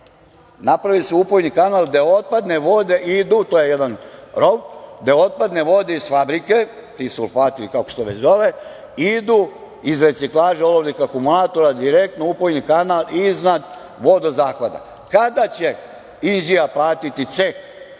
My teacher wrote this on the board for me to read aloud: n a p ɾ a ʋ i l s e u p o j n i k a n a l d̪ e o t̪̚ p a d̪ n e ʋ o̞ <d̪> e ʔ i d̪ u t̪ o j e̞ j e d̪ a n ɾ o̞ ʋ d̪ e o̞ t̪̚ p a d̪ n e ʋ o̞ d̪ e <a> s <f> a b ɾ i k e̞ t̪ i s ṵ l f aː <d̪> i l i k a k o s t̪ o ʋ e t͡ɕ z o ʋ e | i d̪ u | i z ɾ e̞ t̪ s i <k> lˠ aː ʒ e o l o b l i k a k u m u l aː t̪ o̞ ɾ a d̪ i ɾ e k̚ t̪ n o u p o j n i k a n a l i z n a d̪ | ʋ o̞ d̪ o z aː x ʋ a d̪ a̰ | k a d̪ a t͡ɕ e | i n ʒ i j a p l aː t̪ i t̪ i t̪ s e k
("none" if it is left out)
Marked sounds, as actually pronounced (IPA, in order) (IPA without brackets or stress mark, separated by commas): d̪, i, f, t̪, k